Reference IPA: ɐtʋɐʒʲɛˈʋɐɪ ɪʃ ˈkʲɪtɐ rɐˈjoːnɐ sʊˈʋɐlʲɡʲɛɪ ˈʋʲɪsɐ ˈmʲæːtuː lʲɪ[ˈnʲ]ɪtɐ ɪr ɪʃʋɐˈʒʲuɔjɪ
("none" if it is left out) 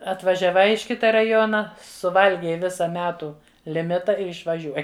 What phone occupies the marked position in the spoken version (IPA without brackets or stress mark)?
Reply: mʲ